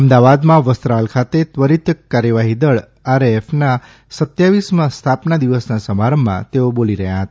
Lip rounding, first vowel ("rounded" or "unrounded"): unrounded